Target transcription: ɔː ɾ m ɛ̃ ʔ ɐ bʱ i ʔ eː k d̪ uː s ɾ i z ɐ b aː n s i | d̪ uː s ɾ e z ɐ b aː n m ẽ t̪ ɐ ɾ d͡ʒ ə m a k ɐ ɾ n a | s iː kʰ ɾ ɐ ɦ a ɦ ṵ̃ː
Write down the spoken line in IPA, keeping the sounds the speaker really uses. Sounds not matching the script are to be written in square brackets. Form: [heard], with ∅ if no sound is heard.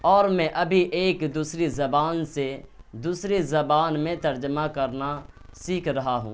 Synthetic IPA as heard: ɔː ɾ m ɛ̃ ʔ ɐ bʱ i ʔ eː k d̪ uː s ɾ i z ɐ b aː n s [e] | d̪ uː s ɾ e z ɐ b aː n m ẽ t̪ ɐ ɾ d͡ʒ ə m a k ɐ ɾ n a | s iː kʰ ɾ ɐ ɦ a ɦ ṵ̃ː